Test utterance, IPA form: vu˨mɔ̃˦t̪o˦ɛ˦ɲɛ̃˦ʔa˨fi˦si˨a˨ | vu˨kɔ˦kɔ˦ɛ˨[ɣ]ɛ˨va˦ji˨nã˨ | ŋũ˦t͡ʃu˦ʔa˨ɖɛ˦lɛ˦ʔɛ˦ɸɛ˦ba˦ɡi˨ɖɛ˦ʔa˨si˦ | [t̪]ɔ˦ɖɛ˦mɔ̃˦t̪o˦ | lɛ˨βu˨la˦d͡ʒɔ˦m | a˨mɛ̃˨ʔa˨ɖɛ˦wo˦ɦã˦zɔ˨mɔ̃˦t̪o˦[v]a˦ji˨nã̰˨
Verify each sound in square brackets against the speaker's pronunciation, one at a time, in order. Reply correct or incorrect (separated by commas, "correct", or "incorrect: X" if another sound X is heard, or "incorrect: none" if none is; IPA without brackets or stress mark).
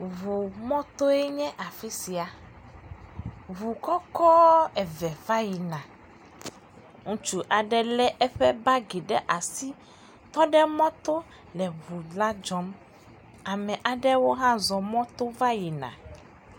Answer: incorrect: v, correct, correct